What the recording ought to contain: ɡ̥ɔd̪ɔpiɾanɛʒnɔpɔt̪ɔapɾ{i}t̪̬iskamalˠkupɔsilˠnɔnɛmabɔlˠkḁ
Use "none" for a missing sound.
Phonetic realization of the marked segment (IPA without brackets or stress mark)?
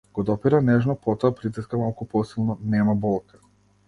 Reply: i